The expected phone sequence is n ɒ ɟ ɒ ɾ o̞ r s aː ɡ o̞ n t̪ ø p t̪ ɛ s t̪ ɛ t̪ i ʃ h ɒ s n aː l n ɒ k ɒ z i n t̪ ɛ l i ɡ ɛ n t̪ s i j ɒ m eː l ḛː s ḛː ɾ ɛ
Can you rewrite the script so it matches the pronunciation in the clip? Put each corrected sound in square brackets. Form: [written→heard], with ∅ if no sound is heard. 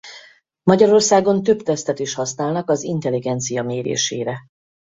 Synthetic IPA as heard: [n→m] ɒ ɟ ɒ ɾ o̞ r s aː ɡ o̞ n t̪ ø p t̪ ɛ s t̪ ɛ t̪ i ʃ h ɒ s n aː l n ɒ k ɒ z i n t̪ ɛ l i ɡ ɛ n t̪ s i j ɒ m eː [l→ɾ] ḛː [s→ʃ] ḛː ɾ ɛ

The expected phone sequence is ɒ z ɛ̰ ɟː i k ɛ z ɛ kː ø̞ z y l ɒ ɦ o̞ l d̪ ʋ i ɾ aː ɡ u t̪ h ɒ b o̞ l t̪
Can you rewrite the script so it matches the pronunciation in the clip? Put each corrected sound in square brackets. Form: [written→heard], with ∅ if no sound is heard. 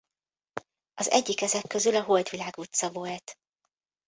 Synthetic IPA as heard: ɒ z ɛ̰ ɟː i k ɛ z ɛ kː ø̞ z y l ɒ ɦ o̞ l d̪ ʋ i [ɾ→l] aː ɡ u t̪ [h→s] ɒ [b→v] o̞ l t̪

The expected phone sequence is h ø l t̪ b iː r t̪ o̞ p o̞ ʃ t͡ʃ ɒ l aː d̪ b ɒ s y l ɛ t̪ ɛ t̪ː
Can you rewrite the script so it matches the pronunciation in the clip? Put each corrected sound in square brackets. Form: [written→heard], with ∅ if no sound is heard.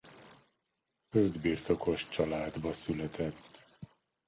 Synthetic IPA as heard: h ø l [t̪→d̪] b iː r t̪ o̞ [p→k] o̞ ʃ t͡ʃ ɒ l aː d̪ b ɒ s y l ɛ t̪ ɛ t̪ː

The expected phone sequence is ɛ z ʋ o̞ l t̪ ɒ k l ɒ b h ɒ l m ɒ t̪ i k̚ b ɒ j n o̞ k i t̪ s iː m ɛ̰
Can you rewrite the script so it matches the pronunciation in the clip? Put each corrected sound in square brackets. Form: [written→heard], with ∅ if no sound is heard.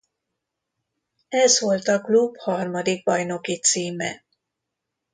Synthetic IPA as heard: ɛ z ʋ o̞ l t̪ ɒ k l [ɒ→u] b h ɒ [l→r] m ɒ [t̪→d̪] i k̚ b ɒ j n o̞ k i t̪ s iː m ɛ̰

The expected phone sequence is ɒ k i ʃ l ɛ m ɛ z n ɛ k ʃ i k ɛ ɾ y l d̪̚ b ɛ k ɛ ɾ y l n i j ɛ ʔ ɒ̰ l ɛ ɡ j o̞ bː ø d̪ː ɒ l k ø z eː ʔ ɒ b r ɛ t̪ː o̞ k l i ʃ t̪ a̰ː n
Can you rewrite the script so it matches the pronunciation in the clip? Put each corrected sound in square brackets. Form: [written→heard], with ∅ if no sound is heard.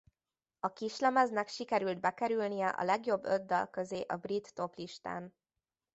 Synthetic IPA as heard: ɒ k i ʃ l ɛ m ɛ z n ɛ k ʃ i k ɛ ɾ y l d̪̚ b ɛ k ɛ ɾ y l n i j ɛ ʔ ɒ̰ l ɛ ɡ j o̞ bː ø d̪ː ɒ l k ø z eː ʔ ɒ b r [ɛ→i] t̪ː o̞ [k→p] l i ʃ t̪ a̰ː n

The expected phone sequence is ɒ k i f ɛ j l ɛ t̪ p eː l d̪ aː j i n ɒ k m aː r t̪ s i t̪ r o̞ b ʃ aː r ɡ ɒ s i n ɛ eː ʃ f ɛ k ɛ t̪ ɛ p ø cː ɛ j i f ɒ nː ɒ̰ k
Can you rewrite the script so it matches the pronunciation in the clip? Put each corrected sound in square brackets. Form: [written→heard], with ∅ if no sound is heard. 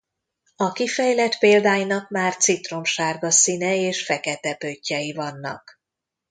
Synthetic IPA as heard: ɒ k i f ɛ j l ɛ t̪ p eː l d̪ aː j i n ɒ k m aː r t̪ s i t̪ r o̞ [b→m] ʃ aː r ɡ ɒ s i n ɛ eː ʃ f ɛ k ɛ t̪ ɛ p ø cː ɛ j i [f→v] ɒ nː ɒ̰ k

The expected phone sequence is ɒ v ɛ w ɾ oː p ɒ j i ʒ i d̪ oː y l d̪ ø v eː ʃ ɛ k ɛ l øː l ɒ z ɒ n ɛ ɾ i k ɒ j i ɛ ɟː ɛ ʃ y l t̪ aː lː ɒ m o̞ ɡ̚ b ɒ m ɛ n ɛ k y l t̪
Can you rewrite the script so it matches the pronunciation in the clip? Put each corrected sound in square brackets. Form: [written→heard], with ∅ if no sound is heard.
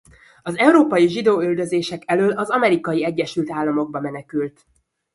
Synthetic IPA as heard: ɒ [v→z] ɛ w ɾ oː p ɒ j i ʒ i d̪ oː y l d̪ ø [v→z] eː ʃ ɛ k ɛ l øː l ɒ z ɒ [n→m] ɛ ɾ i k ɒ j i ɛ ɟː ɛ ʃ y l t̪ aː lː ɒ m o̞ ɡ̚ b ɒ m ɛ n ɛ k y l t̪

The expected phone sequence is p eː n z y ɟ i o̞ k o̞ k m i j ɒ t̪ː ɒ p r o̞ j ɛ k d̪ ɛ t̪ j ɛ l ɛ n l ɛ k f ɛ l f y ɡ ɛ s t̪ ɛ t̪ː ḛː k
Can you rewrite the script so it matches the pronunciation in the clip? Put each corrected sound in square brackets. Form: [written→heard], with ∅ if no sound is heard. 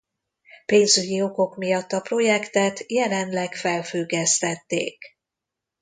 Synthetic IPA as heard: p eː n z y ɟ i o̞ k o̞ k m i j ɒ t̪ː ɒ p r o̞ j ɛ k [d̪→t̪] ɛ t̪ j ɛ l ɛ n l ɛ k f ɛ l f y ɡ ɛ s t̪ ɛ t̪ː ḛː k

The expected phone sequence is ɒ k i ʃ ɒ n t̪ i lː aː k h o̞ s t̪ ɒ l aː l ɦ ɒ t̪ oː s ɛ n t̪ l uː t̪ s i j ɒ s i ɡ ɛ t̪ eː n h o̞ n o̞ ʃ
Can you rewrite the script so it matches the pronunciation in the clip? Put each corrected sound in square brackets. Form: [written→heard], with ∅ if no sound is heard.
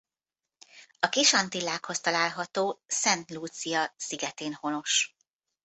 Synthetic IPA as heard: ɒ k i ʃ ɒ n t̪ i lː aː k h o̞ s t̪ ɒ l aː l ɦ ɒ t̪ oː s ɛ n t̪ l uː t̪ s i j ɒ s i ɡ ɛ t̪ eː n h o̞ n o̞ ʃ

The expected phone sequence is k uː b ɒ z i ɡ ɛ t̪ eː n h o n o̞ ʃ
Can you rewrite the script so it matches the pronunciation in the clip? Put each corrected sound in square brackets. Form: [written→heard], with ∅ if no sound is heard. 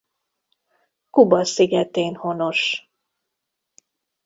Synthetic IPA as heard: k [uː→u] b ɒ [z→s] i ɡ ɛ t̪ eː n h o n o̞ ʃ

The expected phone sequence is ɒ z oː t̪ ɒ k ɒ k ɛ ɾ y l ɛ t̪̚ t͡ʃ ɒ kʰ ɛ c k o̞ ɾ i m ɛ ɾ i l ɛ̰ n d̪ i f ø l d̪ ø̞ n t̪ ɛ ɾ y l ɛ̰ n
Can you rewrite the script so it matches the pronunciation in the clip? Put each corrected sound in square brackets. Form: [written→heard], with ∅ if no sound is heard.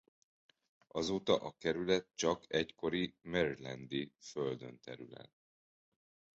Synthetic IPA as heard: ɒ z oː t̪ ɒ [k→ʔ] ɒ k ɛ ɾ y l ɛ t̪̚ t͡ʃ ɒ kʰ ɛ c k o̞ ɾ i m ɛ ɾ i l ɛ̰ n d̪ i f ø l d̪ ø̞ n t̪ ɛ ɾ y l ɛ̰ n

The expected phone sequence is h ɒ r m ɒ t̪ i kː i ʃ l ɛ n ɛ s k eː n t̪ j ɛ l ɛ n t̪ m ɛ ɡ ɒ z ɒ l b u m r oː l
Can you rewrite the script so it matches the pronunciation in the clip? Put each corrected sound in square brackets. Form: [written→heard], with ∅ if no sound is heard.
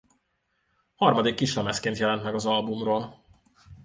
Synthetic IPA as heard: h ɒ r m ɒ [t̪→d̪] i kː i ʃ l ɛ [n→m] ɛ s k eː n t̪ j ɛ l ɛ n t̪ m ɛ ɡ ɒ z ɒ l b u m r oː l

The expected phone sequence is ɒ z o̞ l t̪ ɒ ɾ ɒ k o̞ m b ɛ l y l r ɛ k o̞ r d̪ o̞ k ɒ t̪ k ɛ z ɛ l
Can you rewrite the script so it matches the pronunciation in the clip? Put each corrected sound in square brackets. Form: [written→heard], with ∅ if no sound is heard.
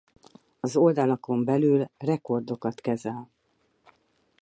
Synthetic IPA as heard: ɒ z o̞ l [t̪→d̪] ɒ [ɾ→l] ɒ k o̞ m b ɛ l y l r ɛ k o̞ r d̪ o̞ k ɒ t̪ k ɛ z ɛ l

